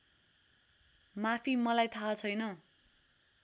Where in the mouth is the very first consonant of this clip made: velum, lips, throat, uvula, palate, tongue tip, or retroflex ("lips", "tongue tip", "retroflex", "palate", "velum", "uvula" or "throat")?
lips